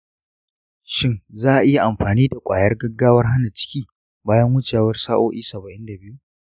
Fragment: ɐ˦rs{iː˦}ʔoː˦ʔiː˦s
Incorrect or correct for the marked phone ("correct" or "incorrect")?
incorrect